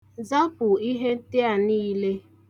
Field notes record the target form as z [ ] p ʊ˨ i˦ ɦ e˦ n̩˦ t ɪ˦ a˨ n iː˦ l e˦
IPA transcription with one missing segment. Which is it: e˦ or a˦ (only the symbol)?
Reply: a˦